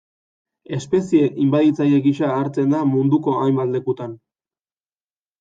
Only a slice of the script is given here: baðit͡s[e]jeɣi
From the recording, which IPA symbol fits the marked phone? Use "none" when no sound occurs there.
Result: a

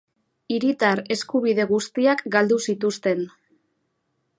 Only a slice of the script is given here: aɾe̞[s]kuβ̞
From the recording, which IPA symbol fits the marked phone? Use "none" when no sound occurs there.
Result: s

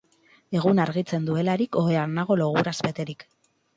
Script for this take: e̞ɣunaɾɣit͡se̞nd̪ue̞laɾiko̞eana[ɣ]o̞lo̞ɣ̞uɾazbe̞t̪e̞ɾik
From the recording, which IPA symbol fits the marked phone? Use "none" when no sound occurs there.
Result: ɣ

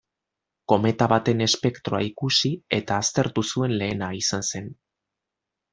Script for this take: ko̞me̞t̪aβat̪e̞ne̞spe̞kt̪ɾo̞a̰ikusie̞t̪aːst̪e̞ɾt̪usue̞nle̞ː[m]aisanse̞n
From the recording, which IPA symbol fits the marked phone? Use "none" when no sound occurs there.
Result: n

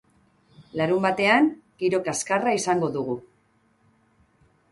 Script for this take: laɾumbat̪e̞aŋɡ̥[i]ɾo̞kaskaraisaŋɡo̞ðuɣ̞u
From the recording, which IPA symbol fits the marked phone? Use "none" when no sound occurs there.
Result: i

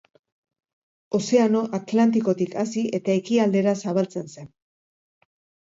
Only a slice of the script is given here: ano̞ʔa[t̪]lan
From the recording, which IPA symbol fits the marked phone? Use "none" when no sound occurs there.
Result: t̪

